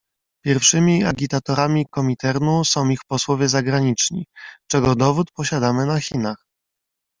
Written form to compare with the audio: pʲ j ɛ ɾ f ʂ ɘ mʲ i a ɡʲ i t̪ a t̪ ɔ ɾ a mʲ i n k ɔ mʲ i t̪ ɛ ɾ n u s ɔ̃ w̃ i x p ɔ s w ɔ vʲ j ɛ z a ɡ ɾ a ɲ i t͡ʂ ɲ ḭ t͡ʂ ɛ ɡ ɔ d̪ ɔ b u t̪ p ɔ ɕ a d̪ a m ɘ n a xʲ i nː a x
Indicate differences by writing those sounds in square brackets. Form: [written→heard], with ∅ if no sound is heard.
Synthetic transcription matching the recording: pʲ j ɛ ɾ f ʂ ɘ mʲ i a ɡʲ i t̪ a t̪ ɔ ɾ a mʲ i [n→∅] k ɔ mʲ i t̪ ɛ ɾ n u s ɔ̃ w̃ i x p ɔ s w ɔ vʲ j ɛ z a ɡ ɾ a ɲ i t͡ʂ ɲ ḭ t͡ʂ ɛ ɡ ɔ d̪ ɔ [b→v] u t̪ p ɔ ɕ a d̪ a m ɘ n a xʲ i [nː→n] a x

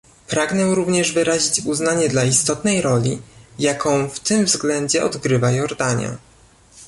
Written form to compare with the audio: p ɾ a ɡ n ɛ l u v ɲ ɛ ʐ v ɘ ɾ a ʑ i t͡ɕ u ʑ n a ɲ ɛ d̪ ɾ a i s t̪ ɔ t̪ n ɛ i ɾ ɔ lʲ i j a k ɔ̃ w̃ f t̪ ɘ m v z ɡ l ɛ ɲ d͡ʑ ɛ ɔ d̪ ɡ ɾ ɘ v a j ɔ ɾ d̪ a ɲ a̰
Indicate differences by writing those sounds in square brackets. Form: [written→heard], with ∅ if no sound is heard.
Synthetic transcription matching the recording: p ɾ a ɡ n ɛ [l→ɾ] u v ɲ ɛ ʐ v ɘ ɾ a ʑ i t͡ɕ u [ʑ→z] n a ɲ ɛ d̪ [ɾ→l] a i s t̪ ɔ t̪ n ɛ [i→j] ɾ ɔ lʲ i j a k ɔ̃ w̃ f t̪ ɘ m v z ɡ l ɛ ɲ d͡ʑ ɛ ɔ d̪ ɡ ɾ ɘ v a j ɔ ɾ d̪ a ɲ a̰

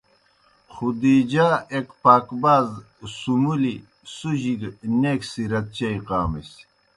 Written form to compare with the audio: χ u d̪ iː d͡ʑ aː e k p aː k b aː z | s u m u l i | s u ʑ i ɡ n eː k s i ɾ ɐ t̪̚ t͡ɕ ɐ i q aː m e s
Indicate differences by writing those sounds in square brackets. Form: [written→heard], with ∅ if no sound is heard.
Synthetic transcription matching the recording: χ u d̪ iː d͡ʑ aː e k p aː k b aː z | s u m u l i | s u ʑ i ɡ n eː k s i ɾ ɐ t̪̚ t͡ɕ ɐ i q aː m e s

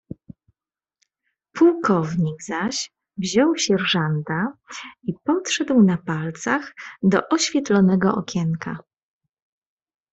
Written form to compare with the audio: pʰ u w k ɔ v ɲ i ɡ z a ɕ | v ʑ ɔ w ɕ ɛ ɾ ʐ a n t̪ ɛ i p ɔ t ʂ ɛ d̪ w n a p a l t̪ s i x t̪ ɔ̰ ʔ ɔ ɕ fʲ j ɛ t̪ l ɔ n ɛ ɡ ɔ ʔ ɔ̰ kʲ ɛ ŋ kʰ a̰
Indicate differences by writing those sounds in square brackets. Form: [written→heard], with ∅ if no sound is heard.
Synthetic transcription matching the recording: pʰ u w k ɔ v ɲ i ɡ z a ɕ | v ʑ ɔ w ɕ ɛ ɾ ʐ a n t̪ [ɛ→a] i p ɔ t ʂ ɛ d̪ w n a p a l t̪ s [i→a] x [t̪→d̪] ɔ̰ ʔ ɔ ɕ fʲ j ɛ t̪ l ɔ n ɛ ɡ ɔ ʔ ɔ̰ kʲ ɛ ŋ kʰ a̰

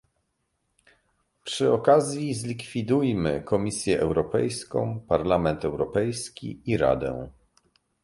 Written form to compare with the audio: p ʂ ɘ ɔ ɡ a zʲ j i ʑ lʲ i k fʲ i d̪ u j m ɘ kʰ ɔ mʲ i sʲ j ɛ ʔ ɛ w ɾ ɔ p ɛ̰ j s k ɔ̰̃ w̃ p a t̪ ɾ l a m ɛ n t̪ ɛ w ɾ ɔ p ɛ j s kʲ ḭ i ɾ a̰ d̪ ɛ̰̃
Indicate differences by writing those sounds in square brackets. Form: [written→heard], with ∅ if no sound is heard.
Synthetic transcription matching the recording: p ʂ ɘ ɔ [ɡ→k] a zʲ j i [ʑ→z] lʲ i k fʲ i d̪ u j m ɘ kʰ ɔ mʲ i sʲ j ɛ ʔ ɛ w ɾ ɔ p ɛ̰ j s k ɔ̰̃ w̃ p a [t̪→∅] ɾ l a m ɛ n t̪ ɛ w ɾ ɔ p ɛ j s kʲ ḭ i ɾ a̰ d̪ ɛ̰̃

